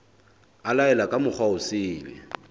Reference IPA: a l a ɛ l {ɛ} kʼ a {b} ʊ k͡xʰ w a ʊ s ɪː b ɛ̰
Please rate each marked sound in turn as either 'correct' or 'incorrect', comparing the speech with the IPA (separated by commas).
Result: incorrect, incorrect